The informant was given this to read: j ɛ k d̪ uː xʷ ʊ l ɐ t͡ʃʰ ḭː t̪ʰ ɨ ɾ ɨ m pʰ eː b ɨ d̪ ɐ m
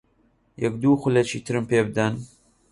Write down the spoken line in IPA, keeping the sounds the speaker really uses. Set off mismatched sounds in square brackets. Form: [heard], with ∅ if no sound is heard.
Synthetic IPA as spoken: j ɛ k d̪ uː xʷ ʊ l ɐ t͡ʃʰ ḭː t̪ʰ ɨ ɾ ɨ m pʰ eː b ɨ d̪ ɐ [n]